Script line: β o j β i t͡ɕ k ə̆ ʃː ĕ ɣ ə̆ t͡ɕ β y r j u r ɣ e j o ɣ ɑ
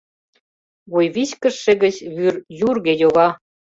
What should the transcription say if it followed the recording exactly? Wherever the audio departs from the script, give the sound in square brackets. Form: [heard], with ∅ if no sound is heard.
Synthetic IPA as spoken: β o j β i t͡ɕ k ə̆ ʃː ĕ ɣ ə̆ t͡ɕ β y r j u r ɣ e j o ɣ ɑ